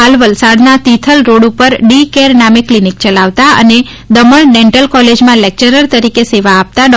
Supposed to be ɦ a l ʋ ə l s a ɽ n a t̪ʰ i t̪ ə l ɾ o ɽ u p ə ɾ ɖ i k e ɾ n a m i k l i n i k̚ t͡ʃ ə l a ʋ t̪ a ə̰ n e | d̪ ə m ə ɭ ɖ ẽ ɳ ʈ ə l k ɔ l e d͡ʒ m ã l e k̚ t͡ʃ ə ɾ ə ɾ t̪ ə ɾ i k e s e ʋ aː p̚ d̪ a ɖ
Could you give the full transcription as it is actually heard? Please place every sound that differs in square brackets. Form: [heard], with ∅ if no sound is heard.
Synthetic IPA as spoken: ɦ a l ʋ ə l s a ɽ n a [t̪] i [t̪ʰ] ə l ɾ o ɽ u p ə ɾ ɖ i k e ɾ n a m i k l i n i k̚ t͡ʃ ə l a ʋ t̪ a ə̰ n e | d̪ ə m ə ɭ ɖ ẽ ɳ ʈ ə l k ɔ l e d͡ʒ m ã l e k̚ t͡ʃ ə ɾ ə ɾ t̪ ə ɾ i k e s e ʋ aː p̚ [t̪] a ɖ